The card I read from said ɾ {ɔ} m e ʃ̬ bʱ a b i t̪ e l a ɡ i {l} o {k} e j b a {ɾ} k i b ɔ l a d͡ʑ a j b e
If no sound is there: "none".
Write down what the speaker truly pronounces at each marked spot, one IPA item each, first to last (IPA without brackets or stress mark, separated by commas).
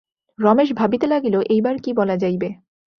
ɔ, l, ʔ, ɾ